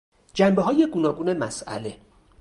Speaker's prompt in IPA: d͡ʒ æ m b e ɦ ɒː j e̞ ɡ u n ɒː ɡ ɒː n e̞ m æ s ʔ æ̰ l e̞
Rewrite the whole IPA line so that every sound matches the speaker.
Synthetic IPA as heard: d͡ʒ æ m b e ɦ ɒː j e̞ ɡ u n ɒː ɡ uː n e̞ m æ s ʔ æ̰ l e̞